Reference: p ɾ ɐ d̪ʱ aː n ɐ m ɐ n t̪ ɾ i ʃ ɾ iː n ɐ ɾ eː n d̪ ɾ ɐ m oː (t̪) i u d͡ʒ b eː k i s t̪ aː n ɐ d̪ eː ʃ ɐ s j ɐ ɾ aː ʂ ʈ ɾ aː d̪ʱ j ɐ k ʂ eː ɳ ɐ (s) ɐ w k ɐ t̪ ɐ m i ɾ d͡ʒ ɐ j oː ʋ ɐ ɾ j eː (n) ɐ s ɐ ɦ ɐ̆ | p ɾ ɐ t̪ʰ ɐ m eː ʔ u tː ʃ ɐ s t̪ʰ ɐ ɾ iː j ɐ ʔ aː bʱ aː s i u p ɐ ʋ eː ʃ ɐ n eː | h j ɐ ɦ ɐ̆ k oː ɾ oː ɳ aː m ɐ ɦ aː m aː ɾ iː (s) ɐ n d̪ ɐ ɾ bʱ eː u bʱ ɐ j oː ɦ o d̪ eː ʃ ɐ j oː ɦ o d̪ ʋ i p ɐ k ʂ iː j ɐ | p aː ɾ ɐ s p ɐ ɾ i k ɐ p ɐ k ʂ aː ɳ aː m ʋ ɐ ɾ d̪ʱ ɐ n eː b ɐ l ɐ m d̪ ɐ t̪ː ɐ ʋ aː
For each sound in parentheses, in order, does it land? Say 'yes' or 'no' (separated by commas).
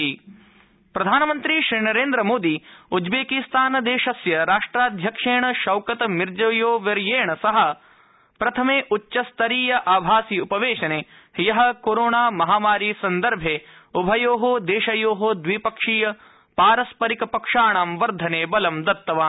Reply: no, no, no, yes